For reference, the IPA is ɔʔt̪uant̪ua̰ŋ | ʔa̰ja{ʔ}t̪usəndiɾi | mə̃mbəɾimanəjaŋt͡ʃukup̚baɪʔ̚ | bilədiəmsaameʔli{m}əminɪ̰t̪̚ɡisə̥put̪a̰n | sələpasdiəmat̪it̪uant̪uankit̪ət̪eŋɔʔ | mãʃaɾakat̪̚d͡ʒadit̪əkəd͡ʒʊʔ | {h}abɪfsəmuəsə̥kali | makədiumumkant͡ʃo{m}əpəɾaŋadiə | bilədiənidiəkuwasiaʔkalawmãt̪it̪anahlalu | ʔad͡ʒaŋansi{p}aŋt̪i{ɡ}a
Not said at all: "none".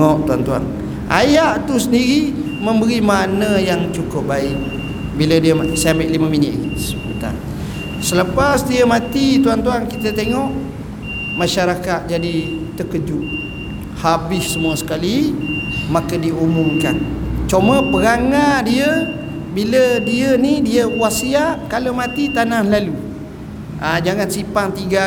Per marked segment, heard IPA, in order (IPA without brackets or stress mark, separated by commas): ʔ, m, h, m, p, ɡ